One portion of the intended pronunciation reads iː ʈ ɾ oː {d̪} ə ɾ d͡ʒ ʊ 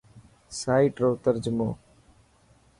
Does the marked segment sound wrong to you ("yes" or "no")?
yes